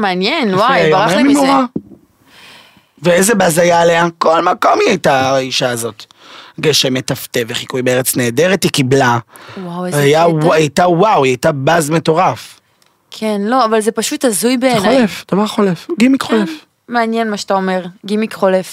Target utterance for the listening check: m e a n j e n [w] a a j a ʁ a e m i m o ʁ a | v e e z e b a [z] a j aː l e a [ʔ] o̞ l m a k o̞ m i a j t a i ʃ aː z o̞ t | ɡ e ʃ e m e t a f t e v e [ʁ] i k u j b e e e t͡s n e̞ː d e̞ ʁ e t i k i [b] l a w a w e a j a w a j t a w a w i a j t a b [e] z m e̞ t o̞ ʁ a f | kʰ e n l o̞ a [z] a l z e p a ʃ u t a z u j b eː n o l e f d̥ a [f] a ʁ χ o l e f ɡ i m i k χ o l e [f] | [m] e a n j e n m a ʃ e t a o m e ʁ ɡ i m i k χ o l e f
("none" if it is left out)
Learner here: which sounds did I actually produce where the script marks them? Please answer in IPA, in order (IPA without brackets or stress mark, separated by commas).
w, z, k, χ, b, a, v, v, f, m